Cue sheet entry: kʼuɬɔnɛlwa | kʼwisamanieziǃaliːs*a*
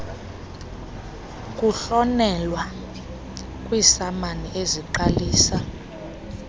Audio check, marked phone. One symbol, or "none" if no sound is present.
a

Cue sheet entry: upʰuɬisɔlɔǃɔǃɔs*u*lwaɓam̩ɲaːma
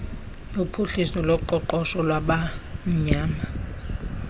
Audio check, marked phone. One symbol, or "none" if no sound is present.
ɔ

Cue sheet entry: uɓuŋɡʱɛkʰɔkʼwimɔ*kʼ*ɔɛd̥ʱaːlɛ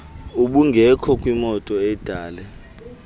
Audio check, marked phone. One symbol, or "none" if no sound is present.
tʼ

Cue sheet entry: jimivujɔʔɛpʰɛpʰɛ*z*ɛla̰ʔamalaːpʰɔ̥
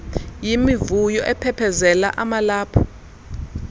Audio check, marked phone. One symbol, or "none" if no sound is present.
z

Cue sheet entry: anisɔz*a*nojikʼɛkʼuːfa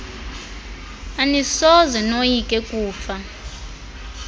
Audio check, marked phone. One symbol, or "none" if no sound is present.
ɛ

